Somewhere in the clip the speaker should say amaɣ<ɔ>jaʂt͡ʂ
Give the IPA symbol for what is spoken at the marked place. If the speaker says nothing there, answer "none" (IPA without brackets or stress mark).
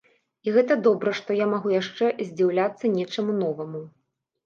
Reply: u